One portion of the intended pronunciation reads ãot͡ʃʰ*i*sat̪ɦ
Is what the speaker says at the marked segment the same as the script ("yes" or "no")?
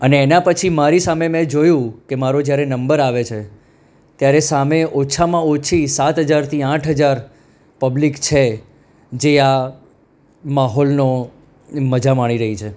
yes